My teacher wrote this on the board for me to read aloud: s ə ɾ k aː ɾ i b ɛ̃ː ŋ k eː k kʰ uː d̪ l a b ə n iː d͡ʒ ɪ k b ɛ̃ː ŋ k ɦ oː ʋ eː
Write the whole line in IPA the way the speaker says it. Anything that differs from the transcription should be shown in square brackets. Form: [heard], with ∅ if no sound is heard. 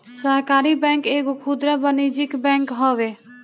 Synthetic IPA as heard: s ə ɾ k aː ɾ i b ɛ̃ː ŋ k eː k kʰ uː d̪ [ɾ] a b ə n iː d͡ʒ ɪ k b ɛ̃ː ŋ k ɦ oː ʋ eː